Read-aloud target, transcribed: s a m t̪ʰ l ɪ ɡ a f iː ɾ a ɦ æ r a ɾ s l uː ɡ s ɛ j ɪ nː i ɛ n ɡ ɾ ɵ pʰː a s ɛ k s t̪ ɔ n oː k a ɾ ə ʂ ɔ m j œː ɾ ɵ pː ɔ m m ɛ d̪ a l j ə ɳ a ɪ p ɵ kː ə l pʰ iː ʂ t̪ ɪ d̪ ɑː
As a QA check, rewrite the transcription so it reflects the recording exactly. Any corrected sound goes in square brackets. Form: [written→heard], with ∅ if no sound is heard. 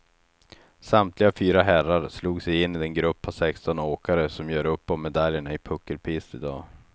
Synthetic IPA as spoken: s a m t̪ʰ l ɪ ɡ a f [iː→yː] ɾ a ɦ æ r a ɾ s l uː ɡ s ɛ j ɪ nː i ɛ n ɡ ɾ ɵ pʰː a s ɛ k s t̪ ɔ n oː k a ɾ ə [ʂ→s] ɔ m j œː ɾ ɵ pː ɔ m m ɛ d̪ a l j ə ɳ a ɪ [p→pʰ] ɵ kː ə l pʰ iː [ʂ→s] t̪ ɪ d̪ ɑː